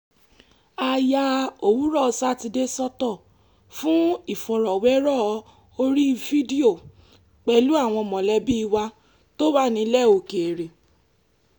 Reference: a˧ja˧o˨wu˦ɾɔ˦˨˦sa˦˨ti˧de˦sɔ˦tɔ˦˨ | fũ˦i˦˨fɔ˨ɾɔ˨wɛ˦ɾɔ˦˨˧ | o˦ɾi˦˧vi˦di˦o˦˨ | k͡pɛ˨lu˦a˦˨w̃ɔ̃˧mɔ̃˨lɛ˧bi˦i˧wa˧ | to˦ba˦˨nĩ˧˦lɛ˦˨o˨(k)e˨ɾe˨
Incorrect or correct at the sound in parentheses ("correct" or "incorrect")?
correct